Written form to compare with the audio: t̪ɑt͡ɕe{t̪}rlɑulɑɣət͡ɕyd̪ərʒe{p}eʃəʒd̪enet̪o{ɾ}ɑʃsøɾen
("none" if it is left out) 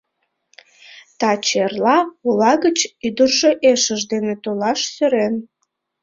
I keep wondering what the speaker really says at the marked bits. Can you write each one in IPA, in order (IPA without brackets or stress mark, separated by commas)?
none, ʔ, l